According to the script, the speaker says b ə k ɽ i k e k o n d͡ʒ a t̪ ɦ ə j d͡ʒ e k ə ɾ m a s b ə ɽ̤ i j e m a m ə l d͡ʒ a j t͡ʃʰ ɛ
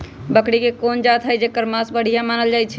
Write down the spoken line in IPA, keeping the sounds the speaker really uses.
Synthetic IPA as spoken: b ə k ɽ i k e k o n d͡ʒ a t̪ ɦ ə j d͡ʒ e k ə ɾ m a s b ə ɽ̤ i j a m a n ə l d͡ʒ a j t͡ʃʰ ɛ